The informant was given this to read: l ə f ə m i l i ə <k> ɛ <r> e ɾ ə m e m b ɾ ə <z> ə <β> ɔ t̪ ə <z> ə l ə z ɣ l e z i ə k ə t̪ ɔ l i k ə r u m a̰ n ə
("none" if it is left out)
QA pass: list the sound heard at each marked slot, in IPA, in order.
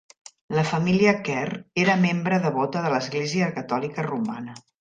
k, r, ð, β, ð

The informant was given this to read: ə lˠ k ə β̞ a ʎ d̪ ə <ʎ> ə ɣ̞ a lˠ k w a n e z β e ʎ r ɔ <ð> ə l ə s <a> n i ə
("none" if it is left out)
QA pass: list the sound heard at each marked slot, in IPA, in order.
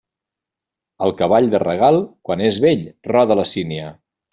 r, ð, i

